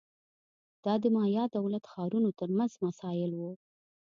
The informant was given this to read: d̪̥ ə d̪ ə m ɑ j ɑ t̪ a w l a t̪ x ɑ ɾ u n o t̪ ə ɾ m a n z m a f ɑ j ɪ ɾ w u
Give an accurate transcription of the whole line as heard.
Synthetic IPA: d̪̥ ɑ d̪ ə m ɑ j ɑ d̪ a w l a t̪ x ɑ ɾ u n o t̪ ə ɾ m a n z m a s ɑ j ɪ l w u